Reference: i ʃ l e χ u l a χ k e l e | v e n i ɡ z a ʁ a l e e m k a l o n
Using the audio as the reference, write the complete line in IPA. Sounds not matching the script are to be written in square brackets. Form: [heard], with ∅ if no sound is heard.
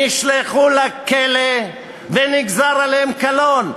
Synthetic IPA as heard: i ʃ l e χ u l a [∅] k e l e | v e n i ɡ z a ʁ a l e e m k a l o n